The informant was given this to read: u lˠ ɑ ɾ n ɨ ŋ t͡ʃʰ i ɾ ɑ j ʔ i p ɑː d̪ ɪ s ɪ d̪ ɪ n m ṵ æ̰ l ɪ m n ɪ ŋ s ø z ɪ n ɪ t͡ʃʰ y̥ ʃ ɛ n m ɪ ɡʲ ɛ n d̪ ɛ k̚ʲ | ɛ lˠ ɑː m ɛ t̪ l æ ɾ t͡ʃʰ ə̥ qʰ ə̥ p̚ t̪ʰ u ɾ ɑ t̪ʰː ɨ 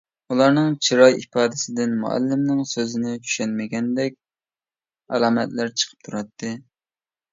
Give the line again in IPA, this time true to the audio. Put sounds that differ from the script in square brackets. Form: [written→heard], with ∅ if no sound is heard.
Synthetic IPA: u lˠ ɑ ɾ n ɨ ŋ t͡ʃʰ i ɾ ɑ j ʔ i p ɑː d̪ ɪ s ɪ d̪ ɪ n m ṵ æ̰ [l→lː] ɪ m n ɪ ŋ s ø z ɪ n ɪ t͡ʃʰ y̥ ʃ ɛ n m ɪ ɡʲ ɛ n d̪ ɛ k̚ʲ | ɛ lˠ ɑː m ɛ t̪ l æ ɾ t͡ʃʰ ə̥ qʰ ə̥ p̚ t̪ʰ u ɾ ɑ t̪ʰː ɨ

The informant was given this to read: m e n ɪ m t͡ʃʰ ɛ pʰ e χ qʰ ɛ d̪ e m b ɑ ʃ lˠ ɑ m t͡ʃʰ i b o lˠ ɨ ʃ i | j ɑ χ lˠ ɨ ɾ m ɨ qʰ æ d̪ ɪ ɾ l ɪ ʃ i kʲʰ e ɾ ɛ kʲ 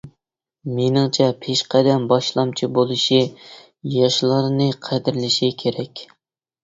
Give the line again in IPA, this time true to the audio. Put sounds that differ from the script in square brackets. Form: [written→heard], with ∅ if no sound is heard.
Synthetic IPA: m e n ɪ [m→ŋ] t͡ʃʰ ɛ pʰ e [χ→ʃ] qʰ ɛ d̪ [e→ɛ] m b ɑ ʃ lˠ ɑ m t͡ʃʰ i b o lˠ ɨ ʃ i | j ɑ [χ→ʃ] lˠ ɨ ɾ [m→n] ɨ qʰ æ d̪ ɪ ɾ l ɪ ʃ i kʲʰ e ɾ ɛ kʲ

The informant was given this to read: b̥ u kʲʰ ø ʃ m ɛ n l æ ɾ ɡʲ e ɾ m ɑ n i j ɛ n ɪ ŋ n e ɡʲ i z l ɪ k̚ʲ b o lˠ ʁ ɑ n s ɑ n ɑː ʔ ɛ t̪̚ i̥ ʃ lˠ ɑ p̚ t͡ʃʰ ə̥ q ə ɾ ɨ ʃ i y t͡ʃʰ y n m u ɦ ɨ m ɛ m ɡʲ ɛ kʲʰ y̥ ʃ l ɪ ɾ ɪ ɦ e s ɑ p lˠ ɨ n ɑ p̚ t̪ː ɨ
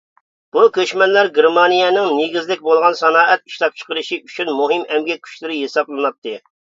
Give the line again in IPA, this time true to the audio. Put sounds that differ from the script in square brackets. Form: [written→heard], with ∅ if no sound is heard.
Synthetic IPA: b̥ u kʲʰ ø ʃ m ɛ n l æ ɾ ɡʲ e ɾ m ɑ n i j ɛ n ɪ ŋ n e ɡʲ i z l ɪ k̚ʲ b o lˠ ʁ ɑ n s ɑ n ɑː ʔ ɛ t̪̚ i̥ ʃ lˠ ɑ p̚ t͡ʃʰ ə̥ q ə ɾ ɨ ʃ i y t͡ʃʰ y n m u ɦ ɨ m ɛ m ɡʲ ɛ kʲʰ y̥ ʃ l ɪ ɾ ɪ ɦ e s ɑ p lˠ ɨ n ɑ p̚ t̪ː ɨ

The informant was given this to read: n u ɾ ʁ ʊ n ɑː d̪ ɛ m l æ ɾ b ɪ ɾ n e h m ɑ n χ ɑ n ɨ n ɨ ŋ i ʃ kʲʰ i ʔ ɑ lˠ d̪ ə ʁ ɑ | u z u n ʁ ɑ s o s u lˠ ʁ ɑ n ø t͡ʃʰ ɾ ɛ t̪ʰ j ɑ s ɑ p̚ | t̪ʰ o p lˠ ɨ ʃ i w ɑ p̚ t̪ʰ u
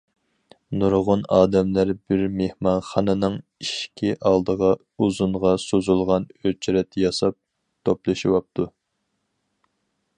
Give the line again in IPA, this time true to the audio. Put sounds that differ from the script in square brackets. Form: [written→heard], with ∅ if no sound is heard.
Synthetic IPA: n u ɾ ʁ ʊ n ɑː d̪ ɛ m l æ ɾ b ɪ ɾ [n→m] e h m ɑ n χ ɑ n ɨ n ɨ ŋ i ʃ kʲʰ i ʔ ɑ lˠ d̪ ə ʁ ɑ | u z u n ʁ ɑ s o [s→z] u lˠ ʁ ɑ n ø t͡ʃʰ ɾ ɛ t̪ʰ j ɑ s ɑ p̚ | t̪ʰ o p lˠ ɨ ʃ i w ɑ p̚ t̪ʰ u

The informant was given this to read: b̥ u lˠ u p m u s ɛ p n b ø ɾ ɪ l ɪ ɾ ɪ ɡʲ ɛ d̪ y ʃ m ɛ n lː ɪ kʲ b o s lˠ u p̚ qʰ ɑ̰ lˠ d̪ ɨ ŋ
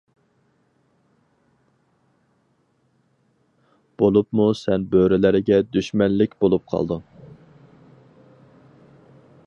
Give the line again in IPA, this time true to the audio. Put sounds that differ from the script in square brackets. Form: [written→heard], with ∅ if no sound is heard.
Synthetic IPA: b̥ [u→o] lˠ u p m u s ɛ [p→∅] n b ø ɾ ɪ l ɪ ɾ ɪ ɡʲ ɛ d̪ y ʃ m ɛ n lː ɪ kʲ b o [s→∅] lˠ u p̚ qʰ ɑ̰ lˠ d̪ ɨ ŋ

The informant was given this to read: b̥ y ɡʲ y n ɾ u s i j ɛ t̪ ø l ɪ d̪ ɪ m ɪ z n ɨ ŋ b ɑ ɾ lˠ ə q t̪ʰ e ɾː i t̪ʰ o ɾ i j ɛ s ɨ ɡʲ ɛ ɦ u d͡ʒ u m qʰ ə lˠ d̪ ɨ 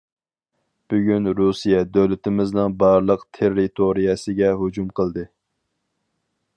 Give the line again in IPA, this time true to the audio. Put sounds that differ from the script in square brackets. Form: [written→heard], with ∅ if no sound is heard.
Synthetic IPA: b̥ y ɡʲ y n ɾ u s i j ɛ [t̪→d̪] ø l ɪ [d̪→t̪] ɪ m ɪ z n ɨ ŋ b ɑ ɾ lˠ ə q t̪ʰ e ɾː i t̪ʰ o ɾ i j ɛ s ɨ ɡʲ ɛ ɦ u d͡ʒ u m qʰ ə lˠ d̪ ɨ

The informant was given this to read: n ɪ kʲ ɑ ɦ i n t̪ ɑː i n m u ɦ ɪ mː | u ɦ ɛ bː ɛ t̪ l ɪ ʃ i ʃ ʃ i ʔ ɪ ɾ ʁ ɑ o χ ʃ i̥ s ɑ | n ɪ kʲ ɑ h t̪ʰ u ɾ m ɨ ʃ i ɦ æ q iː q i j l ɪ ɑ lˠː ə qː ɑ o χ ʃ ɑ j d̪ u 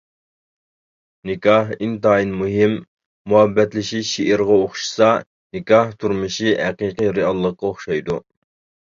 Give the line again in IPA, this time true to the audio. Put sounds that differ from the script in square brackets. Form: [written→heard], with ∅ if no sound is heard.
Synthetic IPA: n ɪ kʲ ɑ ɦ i n t̪ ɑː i n m u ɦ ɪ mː | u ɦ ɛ bː ɛ t̪ l ɪ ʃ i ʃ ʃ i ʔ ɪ ɾ ʁ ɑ o χ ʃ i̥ s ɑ | n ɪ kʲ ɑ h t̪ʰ u ɾ m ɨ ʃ i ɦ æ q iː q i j [l→ɾ] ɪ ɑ lˠː ə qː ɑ o χ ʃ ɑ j d̪ u

